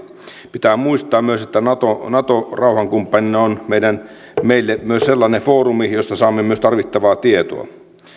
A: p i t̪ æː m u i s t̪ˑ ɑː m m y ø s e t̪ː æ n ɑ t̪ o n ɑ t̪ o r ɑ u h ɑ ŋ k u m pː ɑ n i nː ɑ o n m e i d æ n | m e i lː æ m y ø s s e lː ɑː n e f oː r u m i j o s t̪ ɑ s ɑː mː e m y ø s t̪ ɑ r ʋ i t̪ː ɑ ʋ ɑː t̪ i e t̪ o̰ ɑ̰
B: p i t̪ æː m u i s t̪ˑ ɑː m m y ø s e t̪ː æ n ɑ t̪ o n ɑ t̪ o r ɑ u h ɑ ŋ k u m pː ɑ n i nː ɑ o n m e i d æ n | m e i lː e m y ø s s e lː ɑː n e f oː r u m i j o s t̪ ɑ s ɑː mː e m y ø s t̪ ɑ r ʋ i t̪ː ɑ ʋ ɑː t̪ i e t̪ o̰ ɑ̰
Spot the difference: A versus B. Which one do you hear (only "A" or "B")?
B